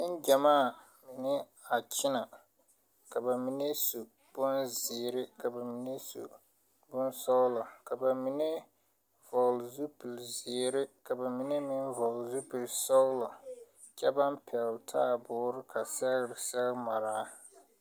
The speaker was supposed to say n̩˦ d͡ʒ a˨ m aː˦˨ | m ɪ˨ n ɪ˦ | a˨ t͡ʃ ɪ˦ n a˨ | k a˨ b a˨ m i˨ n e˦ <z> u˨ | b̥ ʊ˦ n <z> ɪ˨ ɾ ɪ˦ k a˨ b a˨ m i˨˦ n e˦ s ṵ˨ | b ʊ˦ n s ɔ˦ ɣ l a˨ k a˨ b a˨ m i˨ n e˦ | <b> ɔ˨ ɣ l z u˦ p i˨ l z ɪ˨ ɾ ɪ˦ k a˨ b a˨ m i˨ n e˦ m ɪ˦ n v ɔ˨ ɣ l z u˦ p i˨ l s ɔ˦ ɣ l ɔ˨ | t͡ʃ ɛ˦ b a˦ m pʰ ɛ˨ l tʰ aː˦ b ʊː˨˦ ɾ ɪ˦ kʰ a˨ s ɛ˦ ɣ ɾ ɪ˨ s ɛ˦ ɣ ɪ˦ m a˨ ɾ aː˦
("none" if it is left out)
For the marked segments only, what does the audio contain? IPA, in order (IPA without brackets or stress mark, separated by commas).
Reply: s, z, v